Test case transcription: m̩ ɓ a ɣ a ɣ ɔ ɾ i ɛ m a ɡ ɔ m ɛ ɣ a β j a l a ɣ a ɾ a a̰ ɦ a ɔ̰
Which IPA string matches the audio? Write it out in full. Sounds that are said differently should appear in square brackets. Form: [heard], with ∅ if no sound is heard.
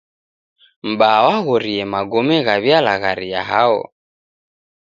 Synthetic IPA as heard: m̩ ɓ a [w] a ɣ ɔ ɾ i ɛ m a ɡ ɔ m ɛ ɣ a β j a l a ɣ a ɾ [i] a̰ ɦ a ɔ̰